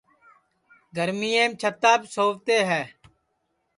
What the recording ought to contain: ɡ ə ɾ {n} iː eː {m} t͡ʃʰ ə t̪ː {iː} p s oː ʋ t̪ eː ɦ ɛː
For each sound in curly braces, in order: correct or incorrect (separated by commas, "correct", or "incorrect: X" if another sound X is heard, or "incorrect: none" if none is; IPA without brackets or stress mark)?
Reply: incorrect: m, correct, incorrect: aː